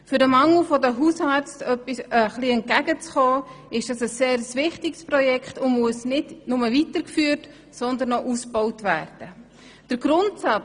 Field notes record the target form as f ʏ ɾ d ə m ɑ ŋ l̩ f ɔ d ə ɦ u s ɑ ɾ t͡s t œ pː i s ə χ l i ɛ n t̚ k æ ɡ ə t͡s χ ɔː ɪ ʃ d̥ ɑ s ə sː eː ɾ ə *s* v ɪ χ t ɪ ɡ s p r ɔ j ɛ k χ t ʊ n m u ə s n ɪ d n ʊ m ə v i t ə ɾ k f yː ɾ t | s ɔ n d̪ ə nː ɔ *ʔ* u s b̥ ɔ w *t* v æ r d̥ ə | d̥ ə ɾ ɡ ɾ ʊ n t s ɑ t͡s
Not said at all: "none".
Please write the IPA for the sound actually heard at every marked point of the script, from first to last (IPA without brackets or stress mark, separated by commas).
s, ʔ, t